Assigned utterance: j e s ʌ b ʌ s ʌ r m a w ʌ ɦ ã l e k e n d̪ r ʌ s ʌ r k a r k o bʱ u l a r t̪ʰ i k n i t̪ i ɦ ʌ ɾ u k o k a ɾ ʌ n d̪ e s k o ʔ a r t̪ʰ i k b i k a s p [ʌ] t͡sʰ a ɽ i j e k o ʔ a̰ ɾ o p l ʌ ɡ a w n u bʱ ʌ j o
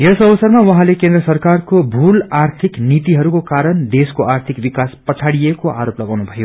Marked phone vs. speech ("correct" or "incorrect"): correct